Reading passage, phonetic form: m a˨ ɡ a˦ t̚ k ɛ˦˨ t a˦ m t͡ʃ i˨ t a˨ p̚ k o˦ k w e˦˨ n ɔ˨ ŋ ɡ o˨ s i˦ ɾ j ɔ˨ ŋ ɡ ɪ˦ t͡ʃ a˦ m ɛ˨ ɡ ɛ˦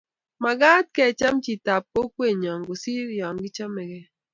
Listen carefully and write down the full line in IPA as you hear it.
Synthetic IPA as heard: m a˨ ɡ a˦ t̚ k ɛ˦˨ t͡ʃ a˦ m t͡ʃ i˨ t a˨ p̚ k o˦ k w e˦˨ ɲ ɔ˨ ŋ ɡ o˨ s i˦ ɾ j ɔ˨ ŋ ɡ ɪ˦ t͡ʃ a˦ m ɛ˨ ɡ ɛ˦

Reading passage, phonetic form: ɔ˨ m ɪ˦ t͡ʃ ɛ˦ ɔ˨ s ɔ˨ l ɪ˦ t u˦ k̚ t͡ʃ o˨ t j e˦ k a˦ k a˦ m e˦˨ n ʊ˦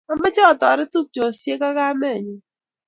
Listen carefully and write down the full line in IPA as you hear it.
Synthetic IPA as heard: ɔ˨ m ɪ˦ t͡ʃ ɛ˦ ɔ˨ t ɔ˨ ɾ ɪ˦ t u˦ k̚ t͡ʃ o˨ s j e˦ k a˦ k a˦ m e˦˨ ɲ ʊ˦

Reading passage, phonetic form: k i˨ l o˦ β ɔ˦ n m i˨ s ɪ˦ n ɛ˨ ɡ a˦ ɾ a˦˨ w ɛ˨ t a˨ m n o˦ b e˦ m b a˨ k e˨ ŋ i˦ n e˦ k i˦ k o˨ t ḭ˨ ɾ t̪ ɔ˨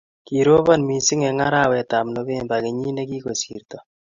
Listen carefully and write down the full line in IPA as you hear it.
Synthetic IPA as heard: k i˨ ɾ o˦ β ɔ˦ n m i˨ s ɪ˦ ŋ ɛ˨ ŋ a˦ ɾ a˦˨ w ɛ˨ t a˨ m n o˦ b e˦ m b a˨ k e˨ ɲ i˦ n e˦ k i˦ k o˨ s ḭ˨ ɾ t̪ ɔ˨

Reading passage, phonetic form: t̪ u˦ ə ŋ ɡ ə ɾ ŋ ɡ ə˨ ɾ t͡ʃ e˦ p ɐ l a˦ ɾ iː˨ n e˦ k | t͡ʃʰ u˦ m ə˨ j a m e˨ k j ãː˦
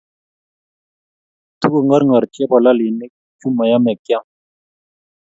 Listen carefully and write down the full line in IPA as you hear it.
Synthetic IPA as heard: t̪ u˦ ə ŋ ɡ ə ɾ ŋ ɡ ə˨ ɾ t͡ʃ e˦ p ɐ l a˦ l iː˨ n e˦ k | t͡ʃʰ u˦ m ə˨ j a m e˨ k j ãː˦

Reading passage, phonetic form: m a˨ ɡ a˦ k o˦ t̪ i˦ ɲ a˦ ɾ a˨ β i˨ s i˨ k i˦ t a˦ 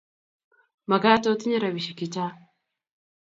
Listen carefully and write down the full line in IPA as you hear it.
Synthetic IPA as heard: m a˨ ɡ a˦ t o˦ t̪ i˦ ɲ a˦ ɾ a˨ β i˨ ʃ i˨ k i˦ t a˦

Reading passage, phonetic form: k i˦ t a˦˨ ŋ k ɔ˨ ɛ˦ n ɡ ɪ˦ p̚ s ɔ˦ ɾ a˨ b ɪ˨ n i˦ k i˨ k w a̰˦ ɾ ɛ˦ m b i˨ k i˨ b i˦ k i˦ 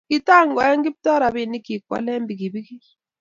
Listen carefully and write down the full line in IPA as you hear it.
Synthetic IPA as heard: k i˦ t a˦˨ ŋ ɡ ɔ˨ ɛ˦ ŋ ɡ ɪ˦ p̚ t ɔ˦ ɾ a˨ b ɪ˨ n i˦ k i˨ k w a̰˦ l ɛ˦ m b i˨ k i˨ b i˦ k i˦

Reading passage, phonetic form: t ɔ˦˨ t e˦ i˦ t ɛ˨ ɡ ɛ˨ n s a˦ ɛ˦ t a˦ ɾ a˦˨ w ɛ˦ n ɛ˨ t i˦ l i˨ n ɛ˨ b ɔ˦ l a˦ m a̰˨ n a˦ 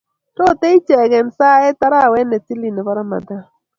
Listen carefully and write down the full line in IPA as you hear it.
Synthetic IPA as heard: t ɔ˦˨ t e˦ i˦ t͡ʃ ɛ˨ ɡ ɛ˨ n s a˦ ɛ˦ t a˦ ɾ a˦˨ w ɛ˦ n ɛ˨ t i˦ l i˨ n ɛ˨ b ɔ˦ ɾ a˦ m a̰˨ d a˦

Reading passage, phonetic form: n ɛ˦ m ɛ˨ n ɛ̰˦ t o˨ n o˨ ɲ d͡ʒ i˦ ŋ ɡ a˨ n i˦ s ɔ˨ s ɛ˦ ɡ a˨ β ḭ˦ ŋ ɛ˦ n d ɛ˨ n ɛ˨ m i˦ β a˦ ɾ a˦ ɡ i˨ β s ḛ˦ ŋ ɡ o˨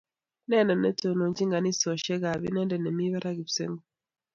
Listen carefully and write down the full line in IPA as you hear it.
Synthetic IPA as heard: n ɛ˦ n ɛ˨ n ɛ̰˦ t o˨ n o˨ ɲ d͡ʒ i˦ ŋ ɡ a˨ n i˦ s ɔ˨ ʃ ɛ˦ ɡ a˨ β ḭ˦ n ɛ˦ n d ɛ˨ n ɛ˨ m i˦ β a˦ ɾ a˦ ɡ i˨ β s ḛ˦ ŋ ɡ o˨

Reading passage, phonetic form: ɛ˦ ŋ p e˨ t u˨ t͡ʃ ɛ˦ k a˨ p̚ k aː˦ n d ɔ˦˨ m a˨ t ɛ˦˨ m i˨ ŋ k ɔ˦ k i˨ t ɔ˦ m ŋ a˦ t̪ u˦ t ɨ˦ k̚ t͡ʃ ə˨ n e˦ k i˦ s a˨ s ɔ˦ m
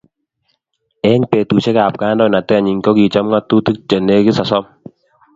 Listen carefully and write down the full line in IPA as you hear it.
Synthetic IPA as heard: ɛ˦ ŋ p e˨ t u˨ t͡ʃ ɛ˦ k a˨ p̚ k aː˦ n d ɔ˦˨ n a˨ t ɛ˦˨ ɲ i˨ ŋ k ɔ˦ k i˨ t͡ʃ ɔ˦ m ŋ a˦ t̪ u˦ t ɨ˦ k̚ t͡ʃ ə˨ n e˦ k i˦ s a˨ s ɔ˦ m

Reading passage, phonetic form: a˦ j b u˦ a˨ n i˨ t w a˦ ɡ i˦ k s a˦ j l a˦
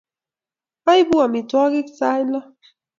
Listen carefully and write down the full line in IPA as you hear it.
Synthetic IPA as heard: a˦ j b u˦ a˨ m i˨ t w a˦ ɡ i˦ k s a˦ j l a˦

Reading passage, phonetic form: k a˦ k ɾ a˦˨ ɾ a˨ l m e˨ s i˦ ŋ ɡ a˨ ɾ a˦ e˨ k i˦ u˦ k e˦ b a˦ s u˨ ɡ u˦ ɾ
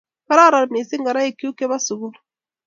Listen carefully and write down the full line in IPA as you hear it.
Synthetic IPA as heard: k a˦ ɾ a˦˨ ɾ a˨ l m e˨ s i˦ ŋ ɡ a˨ ɾ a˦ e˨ k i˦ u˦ k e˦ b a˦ s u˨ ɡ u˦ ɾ

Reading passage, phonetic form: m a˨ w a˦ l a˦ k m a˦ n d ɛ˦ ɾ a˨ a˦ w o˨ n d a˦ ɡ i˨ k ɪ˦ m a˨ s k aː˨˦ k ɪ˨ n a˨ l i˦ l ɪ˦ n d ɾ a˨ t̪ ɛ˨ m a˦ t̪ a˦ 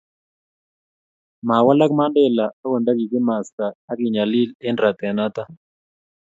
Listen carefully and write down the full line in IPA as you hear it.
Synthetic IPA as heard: m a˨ w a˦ l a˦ k m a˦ n d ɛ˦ l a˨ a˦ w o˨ n d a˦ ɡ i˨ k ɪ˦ m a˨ s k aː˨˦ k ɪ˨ ɲ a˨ l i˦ l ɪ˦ n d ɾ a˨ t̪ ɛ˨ n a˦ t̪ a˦

